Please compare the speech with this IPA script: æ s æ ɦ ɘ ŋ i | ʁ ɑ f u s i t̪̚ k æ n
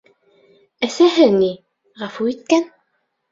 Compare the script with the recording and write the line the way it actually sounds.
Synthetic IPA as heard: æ s æ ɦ ɘ n i | ʁ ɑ f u i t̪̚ k æ n